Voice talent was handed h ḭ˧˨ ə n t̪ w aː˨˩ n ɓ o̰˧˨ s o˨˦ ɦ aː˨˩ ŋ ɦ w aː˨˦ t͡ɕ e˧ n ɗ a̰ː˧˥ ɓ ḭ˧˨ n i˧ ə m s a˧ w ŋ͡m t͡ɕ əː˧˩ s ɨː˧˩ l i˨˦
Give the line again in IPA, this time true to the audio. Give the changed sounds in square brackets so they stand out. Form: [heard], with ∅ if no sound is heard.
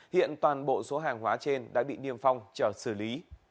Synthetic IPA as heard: h ḭ˧˨ ə n t̪ w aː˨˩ n ɓ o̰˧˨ s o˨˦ ɦ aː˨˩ ŋ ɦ w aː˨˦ t͡ɕ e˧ n ɗ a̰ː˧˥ ɓ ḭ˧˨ n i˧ ə m [f] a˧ w ŋ͡m t͡ɕ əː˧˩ s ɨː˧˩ l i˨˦